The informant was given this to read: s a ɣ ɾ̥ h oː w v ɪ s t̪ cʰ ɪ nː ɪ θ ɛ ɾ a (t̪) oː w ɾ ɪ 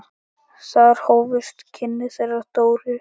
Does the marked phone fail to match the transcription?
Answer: no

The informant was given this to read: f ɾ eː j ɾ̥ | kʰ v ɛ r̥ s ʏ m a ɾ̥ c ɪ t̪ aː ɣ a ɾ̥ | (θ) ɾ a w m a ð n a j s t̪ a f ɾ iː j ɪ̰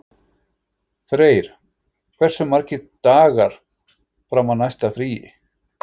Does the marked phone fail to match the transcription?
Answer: yes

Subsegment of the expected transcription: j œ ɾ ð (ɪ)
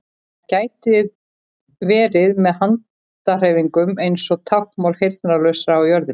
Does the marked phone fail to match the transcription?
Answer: no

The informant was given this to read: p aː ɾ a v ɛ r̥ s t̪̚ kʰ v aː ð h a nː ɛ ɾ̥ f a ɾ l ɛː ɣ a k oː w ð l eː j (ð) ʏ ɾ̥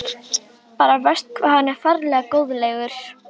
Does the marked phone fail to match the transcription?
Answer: yes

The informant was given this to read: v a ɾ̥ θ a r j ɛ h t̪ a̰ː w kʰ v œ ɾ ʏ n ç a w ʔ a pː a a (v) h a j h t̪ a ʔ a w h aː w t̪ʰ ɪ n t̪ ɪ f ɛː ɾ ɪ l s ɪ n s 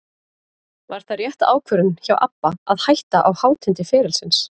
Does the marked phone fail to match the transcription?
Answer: yes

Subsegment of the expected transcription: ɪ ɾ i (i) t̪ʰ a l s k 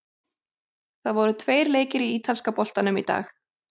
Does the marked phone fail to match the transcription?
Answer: yes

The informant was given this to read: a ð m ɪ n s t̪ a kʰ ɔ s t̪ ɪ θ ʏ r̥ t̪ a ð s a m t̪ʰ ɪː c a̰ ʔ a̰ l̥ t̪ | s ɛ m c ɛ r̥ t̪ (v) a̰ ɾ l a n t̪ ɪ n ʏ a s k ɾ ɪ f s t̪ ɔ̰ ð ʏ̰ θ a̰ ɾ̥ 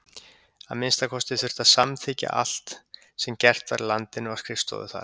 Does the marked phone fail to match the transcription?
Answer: no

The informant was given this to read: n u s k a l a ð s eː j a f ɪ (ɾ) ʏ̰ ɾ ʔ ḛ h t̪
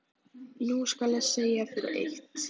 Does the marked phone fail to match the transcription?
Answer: no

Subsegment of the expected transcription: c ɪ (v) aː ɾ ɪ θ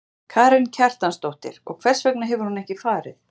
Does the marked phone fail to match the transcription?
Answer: yes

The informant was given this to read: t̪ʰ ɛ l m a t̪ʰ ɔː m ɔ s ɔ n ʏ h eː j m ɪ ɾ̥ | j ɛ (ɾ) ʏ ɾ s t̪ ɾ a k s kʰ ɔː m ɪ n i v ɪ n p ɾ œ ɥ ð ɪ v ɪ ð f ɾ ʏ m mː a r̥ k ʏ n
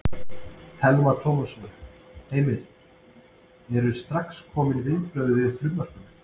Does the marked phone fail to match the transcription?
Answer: no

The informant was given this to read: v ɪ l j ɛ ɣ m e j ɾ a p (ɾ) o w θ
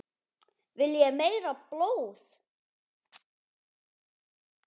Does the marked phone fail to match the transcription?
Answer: yes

